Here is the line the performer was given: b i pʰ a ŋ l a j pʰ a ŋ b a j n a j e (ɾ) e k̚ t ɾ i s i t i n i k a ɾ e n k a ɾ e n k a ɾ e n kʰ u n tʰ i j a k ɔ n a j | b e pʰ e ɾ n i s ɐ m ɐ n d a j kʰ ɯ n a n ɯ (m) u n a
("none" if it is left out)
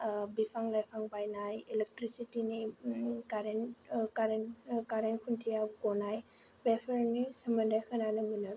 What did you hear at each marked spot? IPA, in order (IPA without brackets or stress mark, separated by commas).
l, m